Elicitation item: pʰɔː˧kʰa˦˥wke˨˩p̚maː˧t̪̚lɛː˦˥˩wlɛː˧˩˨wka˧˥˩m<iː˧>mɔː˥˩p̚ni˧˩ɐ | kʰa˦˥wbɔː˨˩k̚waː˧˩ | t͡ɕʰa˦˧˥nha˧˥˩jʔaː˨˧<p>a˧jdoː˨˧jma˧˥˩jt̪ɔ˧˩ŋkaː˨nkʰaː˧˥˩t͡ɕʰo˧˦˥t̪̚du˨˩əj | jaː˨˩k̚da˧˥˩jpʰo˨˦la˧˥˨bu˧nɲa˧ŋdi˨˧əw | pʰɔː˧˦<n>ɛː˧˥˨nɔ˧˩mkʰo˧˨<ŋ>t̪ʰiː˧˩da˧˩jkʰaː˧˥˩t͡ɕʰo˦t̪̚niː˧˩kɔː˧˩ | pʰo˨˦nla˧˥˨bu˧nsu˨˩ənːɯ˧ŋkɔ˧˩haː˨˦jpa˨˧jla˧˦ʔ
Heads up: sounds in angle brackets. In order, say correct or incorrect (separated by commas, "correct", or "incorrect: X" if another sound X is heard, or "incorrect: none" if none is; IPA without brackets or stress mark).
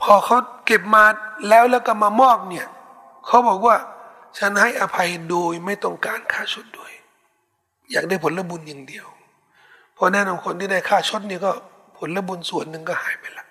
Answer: incorrect: aː˧, incorrect: pʰ, correct, incorrect: n